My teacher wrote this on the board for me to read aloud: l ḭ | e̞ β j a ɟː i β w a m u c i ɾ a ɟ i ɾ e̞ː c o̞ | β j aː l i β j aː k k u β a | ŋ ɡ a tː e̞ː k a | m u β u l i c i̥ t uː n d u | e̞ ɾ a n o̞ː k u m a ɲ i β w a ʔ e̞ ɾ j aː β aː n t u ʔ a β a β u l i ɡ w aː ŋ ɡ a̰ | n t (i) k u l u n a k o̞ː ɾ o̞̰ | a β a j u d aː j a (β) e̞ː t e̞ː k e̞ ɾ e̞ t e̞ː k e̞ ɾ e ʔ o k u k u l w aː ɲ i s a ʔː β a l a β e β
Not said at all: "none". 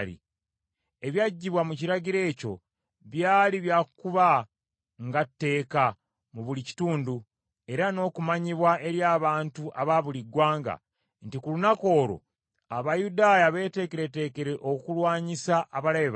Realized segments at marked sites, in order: i, β

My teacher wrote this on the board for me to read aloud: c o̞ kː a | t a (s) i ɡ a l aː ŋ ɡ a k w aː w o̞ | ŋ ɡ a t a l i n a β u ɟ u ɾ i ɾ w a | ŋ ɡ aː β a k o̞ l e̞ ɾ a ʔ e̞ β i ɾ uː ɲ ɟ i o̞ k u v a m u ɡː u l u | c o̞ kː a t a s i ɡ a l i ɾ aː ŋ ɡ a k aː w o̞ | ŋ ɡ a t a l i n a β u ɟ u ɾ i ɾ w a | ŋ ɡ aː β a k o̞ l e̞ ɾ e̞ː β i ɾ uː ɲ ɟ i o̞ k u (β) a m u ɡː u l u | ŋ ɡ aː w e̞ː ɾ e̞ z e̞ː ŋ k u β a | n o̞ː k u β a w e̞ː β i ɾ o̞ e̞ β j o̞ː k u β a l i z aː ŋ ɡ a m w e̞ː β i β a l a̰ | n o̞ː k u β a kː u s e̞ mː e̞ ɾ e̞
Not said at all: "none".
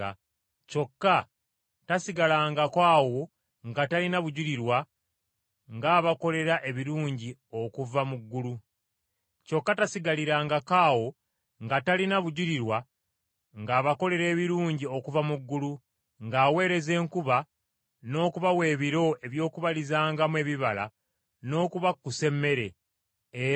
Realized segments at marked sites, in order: s, v

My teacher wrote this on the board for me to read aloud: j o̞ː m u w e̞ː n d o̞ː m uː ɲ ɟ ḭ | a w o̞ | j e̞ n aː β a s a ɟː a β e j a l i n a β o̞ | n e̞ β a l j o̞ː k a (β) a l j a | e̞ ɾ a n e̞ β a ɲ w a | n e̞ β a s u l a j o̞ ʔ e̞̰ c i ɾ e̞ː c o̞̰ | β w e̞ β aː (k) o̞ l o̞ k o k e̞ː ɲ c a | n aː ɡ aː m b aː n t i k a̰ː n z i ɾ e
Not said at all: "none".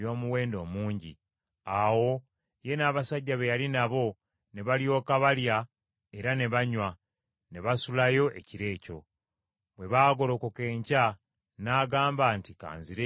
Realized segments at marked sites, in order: β, ɡ

